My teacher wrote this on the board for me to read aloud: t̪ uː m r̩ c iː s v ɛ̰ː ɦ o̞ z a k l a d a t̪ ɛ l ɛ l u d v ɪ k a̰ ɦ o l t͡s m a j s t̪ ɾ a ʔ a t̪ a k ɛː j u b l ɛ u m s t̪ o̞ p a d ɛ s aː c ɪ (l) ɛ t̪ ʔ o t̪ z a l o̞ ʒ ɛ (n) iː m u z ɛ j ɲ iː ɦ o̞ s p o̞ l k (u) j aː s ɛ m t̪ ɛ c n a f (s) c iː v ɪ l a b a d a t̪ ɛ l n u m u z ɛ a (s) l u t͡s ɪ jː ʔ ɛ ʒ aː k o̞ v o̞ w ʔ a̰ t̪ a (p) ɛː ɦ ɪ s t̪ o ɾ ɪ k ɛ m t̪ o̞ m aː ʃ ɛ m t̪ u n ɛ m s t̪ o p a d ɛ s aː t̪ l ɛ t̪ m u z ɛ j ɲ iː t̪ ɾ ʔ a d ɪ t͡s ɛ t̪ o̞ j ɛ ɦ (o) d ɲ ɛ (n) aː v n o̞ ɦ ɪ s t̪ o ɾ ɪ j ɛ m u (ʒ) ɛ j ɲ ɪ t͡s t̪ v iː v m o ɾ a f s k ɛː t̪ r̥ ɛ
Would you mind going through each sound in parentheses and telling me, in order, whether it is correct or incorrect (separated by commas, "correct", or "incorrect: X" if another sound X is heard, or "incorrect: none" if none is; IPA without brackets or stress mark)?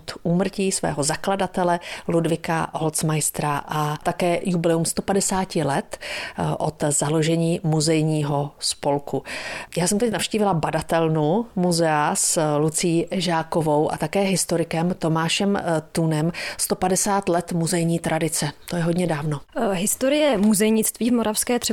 correct, incorrect: ɲ, correct, incorrect: ʃ, correct, incorrect: k, correct, incorrect: d, incorrect: z